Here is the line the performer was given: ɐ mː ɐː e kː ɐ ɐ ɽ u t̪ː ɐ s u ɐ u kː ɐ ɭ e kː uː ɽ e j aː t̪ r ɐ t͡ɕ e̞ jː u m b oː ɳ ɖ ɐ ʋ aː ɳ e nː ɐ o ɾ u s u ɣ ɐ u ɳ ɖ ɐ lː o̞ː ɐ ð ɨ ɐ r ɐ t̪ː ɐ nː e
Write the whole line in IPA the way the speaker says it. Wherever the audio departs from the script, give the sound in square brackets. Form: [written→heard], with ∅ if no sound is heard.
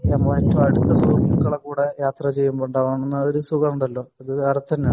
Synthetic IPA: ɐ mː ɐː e [kː→tː] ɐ ɐ ɽ u t̪ː ɐ s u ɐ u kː ɐ ɭ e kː uː ɽ e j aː t̪ r ɐ t͡ɕ e̞ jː u m b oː ɳ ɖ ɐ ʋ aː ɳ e nː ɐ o ɾ u s u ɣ ɐ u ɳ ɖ ɐ lː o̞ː ɐ ð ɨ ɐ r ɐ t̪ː ɐ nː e